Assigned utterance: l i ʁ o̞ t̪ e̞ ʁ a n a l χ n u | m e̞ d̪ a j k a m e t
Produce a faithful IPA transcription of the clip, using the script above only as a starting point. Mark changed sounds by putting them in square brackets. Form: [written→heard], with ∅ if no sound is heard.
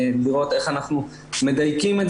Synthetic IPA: l i ʁ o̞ t̪ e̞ [ʁ→χ] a n a [l→∅] χ n u | m e̞ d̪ a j k [a→i] m e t